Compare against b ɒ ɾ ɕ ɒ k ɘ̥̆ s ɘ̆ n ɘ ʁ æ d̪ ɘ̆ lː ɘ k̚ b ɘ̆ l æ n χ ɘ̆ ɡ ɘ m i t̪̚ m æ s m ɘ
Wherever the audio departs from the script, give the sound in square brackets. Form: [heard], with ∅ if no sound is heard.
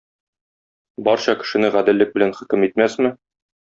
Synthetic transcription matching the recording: b ɒ ɾ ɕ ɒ k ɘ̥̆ [ʃ] ɘ̆ n ɘ ʁ æ d̪ ɘ̆ lː ɘ k̚ b ɘ̆ l æ n χ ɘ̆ [k] ɘ m i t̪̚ m æ s m ɘ